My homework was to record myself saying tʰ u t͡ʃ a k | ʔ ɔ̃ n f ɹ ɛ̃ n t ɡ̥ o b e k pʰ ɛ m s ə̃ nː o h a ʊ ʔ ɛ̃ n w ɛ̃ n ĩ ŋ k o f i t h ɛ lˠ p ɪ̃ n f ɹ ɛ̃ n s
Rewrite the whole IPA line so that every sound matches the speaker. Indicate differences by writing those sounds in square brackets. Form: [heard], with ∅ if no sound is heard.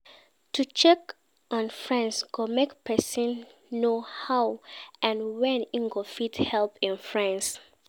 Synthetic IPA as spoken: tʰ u t͡ʃ [ɛ] k | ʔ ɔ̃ n f ɹ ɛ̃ n [s] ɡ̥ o [m] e k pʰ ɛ [∅] s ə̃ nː o h a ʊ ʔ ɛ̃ n w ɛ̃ n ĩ ŋ [ɡ] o f i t h ɛ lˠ p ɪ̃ n f ɹ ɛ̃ n s